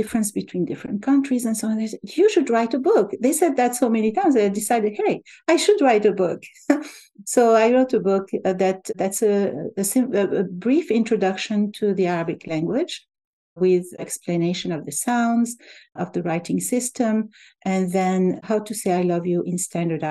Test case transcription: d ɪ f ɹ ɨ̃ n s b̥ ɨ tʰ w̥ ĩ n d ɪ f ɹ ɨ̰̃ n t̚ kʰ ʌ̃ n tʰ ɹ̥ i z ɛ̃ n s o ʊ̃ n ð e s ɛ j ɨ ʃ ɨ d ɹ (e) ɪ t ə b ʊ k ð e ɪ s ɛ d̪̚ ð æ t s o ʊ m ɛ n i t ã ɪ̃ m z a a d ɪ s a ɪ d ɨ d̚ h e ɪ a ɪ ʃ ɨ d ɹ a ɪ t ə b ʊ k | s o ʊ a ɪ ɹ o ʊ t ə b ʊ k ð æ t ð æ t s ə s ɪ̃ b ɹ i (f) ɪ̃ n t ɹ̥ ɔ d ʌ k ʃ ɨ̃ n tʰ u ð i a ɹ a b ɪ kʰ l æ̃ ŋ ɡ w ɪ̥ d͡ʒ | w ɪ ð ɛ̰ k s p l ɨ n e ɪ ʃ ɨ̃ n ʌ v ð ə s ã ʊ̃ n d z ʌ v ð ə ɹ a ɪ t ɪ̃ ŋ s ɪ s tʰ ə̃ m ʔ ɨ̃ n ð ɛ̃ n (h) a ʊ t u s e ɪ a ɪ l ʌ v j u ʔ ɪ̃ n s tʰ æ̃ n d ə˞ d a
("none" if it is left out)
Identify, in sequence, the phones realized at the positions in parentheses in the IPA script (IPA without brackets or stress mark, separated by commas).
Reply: a, f, h